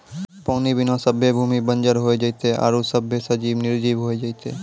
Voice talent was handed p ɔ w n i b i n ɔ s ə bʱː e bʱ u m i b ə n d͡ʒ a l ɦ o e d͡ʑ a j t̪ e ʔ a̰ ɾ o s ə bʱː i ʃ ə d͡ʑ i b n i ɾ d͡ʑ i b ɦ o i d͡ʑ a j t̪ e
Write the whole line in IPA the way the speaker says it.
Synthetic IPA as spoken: p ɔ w n i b i n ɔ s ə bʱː e bʱ u m i b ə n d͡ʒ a ɾ ɦ o e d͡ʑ a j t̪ e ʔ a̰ ɾ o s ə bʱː e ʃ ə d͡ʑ i b n i ɾ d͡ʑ i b ɦ o e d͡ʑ a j t̪ e